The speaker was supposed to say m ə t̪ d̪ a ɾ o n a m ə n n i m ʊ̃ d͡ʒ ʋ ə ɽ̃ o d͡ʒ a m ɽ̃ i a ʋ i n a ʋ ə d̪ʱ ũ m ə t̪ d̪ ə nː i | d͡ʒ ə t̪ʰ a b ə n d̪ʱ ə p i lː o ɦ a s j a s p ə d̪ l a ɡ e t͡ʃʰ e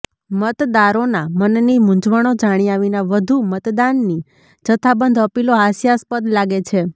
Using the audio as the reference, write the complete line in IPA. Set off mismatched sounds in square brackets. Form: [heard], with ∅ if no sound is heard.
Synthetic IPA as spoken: m ə t̪ d̪ a ɾ o n a m ə n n i m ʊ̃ d͡ʒ ʋ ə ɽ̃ o d͡ʒ a [∅] ɽ̃ i a ʋ i n a ʋ ə d̪ʱ [u] m ə t̪ d̪ [a] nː i | d͡ʒ ə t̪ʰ a b ə n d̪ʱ ə p i [l] o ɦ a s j a s p ə d̪ l a ɡ e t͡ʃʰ e